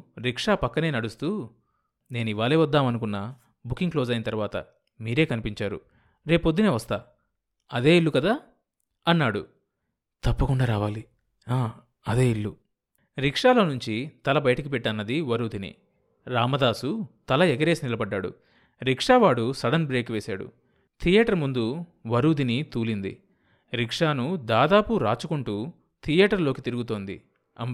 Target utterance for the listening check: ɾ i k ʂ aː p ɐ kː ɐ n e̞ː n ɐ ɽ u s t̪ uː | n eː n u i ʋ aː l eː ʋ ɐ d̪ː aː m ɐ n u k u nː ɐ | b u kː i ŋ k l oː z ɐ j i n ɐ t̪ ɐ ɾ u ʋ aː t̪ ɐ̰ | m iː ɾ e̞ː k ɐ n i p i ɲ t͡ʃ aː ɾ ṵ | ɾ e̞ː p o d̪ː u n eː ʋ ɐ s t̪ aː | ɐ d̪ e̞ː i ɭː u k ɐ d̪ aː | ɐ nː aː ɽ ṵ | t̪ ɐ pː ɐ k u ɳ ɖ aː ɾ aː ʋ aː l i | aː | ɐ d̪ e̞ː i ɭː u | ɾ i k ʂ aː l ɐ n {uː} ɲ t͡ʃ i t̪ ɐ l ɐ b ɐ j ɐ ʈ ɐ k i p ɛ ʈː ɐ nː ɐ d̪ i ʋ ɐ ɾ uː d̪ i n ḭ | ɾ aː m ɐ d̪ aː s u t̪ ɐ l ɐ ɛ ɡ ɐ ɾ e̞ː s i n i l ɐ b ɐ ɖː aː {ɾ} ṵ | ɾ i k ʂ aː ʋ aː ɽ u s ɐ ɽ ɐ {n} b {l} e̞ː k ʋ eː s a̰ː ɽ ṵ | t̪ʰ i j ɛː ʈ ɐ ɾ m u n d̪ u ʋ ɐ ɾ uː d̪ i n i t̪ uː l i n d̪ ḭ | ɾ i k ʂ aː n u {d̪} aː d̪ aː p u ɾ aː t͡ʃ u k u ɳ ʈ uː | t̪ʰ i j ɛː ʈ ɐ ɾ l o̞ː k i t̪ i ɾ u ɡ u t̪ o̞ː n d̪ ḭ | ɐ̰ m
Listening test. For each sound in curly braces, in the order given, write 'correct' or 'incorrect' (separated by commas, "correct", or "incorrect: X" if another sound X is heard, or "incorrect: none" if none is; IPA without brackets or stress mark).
incorrect: u, incorrect: ɽ, correct, incorrect: ɾ, correct